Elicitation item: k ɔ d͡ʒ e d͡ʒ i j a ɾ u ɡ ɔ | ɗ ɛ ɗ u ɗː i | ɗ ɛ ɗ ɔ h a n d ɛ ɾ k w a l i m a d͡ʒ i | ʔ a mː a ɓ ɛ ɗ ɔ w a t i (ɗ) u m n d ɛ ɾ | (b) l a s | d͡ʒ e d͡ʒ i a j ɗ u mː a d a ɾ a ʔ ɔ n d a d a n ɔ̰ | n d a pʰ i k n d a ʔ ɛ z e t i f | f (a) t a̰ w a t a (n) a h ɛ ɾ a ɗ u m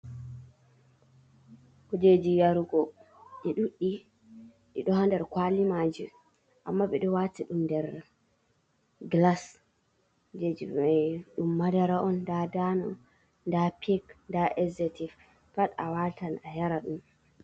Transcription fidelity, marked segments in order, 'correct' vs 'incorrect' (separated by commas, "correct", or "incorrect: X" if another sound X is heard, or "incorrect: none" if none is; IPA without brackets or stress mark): correct, incorrect: ɡ, correct, correct